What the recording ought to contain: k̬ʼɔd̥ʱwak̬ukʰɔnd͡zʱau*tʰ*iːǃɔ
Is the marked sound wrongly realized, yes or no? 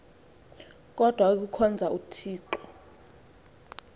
no